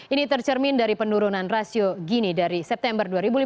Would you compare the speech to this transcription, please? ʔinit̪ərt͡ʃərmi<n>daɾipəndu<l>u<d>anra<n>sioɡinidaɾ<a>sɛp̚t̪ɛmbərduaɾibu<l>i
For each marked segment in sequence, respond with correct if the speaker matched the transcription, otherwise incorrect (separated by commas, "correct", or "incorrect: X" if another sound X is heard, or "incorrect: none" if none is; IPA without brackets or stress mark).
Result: correct, incorrect: ɾ, incorrect: n, incorrect: none, incorrect: i, correct